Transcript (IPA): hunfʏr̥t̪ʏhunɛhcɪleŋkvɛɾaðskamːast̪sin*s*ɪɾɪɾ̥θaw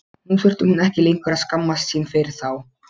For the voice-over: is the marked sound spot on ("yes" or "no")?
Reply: no